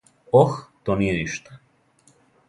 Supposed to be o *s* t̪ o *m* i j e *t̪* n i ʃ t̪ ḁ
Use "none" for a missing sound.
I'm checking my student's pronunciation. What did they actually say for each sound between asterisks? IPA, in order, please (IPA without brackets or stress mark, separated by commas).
x, n, none